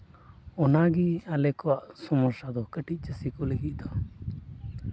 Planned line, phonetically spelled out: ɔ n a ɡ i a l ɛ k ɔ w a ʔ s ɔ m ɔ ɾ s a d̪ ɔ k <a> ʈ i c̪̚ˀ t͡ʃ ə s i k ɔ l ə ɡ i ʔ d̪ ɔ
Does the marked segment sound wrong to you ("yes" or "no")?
yes